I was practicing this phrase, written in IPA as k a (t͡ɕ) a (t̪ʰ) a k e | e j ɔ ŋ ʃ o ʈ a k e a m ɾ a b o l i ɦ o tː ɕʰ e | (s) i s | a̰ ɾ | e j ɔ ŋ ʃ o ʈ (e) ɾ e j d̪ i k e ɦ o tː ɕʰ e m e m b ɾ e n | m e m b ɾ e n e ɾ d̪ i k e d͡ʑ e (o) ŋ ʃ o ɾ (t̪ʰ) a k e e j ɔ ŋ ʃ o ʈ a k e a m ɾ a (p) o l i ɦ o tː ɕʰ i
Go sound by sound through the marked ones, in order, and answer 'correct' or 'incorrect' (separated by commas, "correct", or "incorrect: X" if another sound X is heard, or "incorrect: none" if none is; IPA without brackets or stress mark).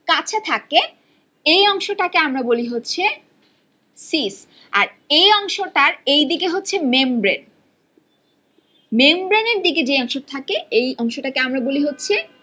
incorrect: t͡ɕʰ, correct, correct, incorrect: a, incorrect: ɔ, correct, incorrect: b